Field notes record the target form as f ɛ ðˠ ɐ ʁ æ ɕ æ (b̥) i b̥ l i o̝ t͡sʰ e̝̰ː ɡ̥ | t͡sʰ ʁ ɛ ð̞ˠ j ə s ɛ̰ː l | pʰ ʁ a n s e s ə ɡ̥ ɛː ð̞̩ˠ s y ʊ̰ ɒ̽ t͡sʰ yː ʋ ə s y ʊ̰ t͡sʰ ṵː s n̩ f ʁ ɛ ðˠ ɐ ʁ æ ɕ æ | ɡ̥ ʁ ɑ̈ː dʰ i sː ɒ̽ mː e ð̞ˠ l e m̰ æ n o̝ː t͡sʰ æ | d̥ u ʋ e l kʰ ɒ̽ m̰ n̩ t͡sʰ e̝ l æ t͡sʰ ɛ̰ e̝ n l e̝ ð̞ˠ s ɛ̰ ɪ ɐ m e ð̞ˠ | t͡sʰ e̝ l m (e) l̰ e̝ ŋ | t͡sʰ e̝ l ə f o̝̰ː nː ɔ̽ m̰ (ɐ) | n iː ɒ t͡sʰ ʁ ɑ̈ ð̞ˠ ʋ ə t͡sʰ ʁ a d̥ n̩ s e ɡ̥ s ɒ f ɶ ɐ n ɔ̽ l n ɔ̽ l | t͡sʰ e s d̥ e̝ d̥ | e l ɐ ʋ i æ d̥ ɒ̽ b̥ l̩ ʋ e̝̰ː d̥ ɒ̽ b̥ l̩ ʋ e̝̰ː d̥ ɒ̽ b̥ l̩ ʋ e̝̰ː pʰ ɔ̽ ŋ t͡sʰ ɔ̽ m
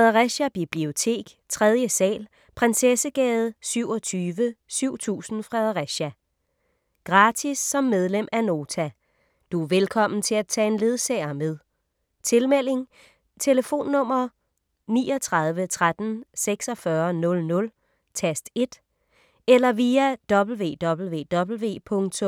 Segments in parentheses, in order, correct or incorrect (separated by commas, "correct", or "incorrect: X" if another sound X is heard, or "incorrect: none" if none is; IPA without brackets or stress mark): correct, correct, correct